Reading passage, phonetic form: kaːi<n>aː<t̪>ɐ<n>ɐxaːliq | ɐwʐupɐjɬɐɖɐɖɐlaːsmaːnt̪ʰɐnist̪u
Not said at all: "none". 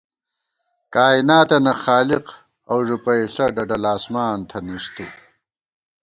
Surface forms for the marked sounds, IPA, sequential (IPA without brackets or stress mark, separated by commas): n, t̪, n